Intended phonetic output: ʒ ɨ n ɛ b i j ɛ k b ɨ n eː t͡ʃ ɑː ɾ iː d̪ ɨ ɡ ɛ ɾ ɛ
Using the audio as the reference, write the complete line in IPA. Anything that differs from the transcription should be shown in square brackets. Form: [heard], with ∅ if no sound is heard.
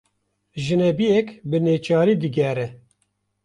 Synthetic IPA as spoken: ʒ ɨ n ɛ b i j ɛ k b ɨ n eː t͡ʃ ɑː ɾ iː d̪ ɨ ɡ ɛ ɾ ɛ